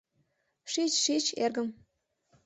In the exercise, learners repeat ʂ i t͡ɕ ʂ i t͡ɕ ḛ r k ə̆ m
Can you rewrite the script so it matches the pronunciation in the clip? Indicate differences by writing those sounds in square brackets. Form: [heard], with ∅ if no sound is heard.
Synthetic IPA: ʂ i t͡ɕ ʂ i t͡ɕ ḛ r [ɡ] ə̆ m